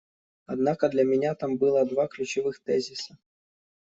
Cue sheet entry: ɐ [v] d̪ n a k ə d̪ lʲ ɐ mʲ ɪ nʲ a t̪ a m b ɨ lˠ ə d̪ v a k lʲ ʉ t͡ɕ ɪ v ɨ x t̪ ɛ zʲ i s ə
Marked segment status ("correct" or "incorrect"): incorrect